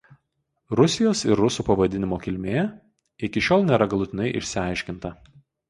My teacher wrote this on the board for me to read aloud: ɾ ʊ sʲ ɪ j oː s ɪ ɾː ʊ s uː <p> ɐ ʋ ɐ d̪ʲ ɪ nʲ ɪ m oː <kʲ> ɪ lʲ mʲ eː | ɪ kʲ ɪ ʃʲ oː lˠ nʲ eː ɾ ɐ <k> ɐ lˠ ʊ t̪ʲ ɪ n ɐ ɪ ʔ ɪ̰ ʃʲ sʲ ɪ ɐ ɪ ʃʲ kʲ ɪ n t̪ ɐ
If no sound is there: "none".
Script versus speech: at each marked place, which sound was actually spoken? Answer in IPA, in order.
p, kʲ, ɡ

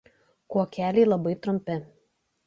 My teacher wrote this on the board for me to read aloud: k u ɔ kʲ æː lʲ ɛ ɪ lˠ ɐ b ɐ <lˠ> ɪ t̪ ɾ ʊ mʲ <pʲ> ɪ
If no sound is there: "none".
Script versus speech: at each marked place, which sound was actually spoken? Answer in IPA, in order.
none, pʲ

